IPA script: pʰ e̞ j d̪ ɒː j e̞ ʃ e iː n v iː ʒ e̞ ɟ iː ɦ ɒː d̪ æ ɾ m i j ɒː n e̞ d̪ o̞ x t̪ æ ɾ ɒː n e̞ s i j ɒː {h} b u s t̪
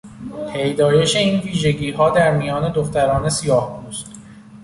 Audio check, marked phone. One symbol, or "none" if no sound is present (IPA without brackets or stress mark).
h